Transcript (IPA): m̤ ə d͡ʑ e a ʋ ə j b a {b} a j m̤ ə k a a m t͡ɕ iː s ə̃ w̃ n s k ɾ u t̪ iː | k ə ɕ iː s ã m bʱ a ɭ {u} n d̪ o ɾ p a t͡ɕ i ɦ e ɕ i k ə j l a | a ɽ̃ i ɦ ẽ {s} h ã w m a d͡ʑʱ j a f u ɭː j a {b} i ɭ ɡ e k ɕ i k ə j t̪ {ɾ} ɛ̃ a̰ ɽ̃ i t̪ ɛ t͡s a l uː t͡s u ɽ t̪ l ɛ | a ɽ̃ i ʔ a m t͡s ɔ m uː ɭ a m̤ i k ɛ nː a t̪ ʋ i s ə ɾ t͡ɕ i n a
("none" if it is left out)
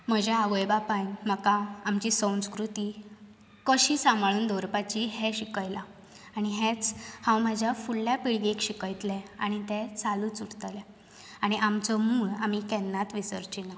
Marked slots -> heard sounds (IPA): p, uː, t͡s, p, l

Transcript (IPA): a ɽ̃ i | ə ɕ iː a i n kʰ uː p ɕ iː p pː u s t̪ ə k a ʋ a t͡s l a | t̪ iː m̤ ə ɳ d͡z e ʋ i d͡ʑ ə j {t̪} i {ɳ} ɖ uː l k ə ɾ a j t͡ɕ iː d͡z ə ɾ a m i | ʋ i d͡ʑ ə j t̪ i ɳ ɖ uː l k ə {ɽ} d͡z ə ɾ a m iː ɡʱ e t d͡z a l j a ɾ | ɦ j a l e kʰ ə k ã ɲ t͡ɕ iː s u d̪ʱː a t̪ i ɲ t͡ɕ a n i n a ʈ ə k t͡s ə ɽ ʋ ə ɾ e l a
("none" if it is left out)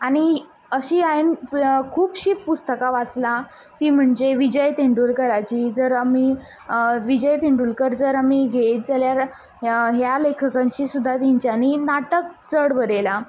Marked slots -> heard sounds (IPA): t̪, ɳ, ɾ

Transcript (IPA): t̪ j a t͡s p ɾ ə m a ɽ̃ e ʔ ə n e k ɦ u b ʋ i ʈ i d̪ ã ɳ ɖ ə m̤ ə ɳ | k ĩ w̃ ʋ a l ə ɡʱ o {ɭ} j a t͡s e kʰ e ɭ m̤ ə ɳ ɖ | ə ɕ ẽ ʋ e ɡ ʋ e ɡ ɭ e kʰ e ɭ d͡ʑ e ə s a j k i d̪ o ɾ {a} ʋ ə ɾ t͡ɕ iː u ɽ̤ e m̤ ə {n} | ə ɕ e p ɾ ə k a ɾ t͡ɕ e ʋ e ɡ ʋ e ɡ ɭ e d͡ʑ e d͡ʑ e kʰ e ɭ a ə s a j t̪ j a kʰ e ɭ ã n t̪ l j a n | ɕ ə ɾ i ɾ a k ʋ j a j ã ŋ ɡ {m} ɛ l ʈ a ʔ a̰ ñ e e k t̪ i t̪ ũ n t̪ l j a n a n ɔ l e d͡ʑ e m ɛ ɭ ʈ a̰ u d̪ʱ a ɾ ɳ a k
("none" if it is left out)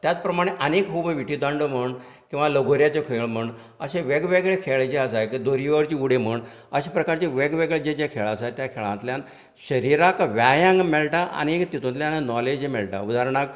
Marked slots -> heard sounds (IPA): ɾ, i, ɳ, m

